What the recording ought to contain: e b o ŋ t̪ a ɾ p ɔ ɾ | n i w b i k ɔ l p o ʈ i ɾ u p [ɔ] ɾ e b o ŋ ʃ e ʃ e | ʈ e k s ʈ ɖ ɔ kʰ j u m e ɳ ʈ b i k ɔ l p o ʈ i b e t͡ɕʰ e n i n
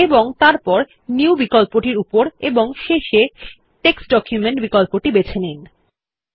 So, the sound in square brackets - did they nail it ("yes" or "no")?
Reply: no